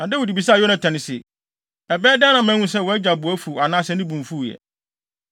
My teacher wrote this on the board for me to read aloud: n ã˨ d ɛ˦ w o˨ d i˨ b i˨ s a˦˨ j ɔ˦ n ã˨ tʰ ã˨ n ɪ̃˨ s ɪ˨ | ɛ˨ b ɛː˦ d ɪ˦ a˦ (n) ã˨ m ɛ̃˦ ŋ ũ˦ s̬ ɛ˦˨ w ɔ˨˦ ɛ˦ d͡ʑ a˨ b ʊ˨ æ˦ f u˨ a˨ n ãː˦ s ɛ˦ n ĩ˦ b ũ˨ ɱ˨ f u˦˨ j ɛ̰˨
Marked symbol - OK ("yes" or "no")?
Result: yes